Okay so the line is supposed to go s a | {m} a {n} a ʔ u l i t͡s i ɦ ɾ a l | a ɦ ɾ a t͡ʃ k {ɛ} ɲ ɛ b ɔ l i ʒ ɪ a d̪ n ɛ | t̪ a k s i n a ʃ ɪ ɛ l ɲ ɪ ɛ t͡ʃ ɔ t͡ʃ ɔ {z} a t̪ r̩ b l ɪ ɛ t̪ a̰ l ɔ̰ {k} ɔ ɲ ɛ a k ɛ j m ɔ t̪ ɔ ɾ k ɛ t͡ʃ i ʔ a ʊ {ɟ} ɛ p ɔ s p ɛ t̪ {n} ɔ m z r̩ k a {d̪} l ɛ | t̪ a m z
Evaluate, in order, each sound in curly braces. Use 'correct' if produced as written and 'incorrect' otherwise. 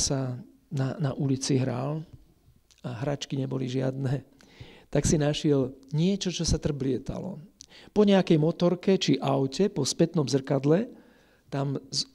incorrect: n, correct, incorrect: i, incorrect: s, incorrect: p, incorrect: c, correct, correct

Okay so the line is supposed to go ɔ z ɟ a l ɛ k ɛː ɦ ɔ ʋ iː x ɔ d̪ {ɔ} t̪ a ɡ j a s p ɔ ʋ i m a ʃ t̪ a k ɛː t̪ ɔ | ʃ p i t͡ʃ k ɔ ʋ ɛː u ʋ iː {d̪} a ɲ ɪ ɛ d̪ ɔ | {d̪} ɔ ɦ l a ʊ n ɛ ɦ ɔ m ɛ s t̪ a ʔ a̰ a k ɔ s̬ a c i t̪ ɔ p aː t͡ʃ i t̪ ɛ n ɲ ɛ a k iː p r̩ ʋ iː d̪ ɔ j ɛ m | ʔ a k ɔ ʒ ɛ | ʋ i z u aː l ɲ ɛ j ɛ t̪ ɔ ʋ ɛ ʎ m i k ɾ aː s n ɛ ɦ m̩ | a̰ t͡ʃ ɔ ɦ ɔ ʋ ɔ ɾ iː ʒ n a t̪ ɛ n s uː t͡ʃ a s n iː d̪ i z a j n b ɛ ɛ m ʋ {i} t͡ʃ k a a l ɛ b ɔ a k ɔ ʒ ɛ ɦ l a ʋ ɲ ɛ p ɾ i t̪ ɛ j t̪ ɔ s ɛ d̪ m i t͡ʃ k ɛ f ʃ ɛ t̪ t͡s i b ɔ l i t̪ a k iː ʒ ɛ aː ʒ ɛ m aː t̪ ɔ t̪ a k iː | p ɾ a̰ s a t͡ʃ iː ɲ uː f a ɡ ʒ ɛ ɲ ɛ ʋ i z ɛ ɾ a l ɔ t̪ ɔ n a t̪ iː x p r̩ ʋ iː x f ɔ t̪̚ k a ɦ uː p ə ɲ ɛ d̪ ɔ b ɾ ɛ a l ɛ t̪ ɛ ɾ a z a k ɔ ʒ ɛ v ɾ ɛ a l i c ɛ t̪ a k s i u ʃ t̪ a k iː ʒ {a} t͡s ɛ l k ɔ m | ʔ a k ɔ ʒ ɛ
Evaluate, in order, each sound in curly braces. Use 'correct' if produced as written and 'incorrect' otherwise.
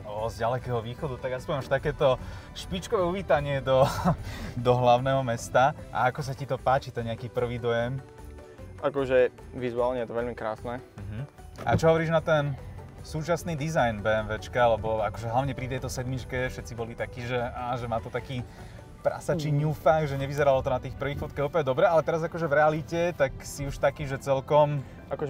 incorrect: u, incorrect: t̪, correct, incorrect: ɛ, incorrect: ɛ

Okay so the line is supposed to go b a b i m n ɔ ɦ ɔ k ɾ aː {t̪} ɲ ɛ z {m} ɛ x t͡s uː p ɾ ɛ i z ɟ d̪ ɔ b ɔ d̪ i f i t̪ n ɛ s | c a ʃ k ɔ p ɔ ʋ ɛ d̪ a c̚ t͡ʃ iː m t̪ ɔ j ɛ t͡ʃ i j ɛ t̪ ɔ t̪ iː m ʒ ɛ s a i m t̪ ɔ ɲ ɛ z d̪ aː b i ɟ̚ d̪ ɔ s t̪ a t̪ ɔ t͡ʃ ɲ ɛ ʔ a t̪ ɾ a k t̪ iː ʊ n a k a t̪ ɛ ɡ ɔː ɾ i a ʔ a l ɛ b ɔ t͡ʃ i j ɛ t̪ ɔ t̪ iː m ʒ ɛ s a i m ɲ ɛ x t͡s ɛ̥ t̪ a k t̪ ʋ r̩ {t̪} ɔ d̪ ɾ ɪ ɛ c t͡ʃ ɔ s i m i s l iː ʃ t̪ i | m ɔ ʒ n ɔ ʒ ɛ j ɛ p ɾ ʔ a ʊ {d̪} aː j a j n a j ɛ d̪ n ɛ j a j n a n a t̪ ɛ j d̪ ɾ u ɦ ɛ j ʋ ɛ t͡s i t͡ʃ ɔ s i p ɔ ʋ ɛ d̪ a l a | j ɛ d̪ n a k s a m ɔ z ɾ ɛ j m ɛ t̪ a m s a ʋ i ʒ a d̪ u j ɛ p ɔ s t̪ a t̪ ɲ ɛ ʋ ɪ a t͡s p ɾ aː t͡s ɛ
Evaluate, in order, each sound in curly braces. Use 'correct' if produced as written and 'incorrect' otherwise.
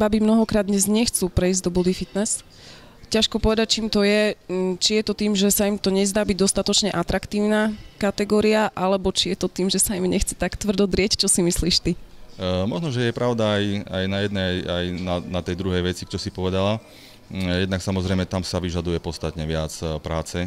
incorrect: d̪, incorrect: ɲ, incorrect: d̪, correct

